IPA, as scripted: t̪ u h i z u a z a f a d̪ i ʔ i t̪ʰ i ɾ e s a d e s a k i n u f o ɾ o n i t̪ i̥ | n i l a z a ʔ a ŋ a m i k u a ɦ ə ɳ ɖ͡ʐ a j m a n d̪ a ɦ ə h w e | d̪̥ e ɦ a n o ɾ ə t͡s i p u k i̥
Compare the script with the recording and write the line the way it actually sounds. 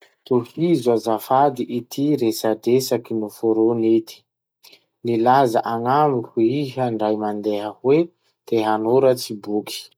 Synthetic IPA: t̪ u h i z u a z a f a d̪ i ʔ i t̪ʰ i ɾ e s a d e s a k i n u f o ɾ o n i t̪ i̥ | n i l a z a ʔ a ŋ a m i k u i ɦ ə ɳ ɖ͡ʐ a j m a n d̪ e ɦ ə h w e | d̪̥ e ɦ a n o ɾ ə t͡s i b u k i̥